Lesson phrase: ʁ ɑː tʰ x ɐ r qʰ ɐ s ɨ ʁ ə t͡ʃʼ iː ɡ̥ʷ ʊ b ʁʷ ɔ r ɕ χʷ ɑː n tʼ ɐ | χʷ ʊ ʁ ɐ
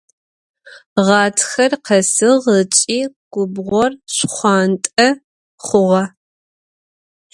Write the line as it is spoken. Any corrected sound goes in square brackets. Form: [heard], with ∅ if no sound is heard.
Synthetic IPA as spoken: ʁ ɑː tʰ x ɐ r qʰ ɐ s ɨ ʁ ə t͡ʃʼ iː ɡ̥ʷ ʊ b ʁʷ ɔ r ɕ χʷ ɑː n tʼ ɐ | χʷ ʊ ʁ ɐ